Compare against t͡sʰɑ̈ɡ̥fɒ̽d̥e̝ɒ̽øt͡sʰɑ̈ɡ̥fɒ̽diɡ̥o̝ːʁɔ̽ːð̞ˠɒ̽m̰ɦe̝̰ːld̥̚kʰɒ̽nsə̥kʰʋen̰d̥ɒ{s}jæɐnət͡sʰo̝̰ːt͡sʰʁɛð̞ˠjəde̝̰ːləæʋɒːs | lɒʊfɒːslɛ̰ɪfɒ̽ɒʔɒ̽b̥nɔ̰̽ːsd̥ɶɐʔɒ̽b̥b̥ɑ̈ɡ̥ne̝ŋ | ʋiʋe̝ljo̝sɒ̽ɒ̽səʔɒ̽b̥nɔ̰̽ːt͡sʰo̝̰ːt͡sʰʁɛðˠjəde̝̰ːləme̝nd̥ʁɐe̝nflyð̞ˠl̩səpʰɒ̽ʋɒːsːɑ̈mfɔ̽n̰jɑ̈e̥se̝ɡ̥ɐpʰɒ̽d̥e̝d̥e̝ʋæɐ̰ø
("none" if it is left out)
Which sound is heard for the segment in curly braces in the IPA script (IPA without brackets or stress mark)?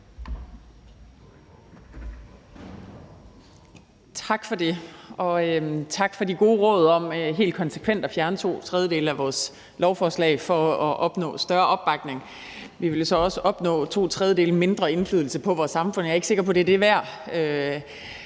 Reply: f